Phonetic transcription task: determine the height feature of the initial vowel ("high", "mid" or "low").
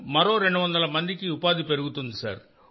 low